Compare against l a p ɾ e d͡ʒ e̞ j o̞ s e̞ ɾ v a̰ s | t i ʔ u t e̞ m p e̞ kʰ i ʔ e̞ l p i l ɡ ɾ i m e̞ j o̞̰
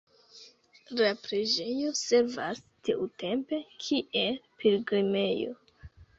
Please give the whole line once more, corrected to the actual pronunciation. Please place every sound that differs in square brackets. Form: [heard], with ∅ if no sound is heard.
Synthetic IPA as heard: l a p ɾ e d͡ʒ e̞ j o̞ s e̞ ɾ v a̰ s | t i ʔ u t e̞ m p e̞ kʰ i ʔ e̞ l p i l ɡ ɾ i m e̞ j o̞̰

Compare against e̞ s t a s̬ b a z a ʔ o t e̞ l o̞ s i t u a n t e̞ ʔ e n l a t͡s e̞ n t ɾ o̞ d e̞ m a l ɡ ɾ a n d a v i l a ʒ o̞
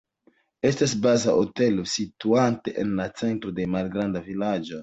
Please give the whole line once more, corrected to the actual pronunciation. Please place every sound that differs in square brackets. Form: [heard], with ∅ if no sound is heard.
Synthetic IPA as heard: e̞ s t a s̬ b a z a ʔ o t e̞ l o̞ s i t u a n t e̞ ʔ e n l a t͡s e̞ n t ɾ o̞ d e̞ m a l ɡ ɾ a n d a v i l a [d͡ʒ] o̞

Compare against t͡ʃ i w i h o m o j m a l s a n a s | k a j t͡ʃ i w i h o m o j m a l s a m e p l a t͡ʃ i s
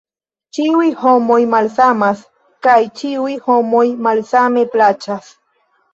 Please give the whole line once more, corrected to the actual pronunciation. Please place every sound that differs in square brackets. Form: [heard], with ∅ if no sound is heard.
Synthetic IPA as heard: t͡ʃ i w i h o m o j m a l s a [m] a s | k a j t͡ʃ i w i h o m o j m a l s a m e p l a t͡ʃ [a] s

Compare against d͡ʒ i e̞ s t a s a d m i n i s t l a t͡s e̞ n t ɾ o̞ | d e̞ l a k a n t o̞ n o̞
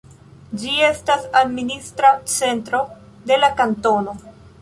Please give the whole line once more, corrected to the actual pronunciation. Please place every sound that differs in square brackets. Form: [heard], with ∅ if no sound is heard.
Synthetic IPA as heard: d͡ʒ i e̞ s t a s a d m i n i s t [ɾ] a t͡s e̞ n t ɾ o̞ | d e̞ l a k a n t o̞ n o̞

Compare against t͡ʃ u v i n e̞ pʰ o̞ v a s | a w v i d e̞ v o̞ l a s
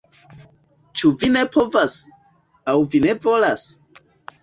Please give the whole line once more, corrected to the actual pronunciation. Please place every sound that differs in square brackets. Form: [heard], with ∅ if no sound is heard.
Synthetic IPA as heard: t͡ʃ u v i n e̞ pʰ o̞ v a s | a w v i [n] e̞ v o̞ l a s

